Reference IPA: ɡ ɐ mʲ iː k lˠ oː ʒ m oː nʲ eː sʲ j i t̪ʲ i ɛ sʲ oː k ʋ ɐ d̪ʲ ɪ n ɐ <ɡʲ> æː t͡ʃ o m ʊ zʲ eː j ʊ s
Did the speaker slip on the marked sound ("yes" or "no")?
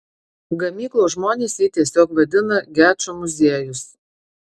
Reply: no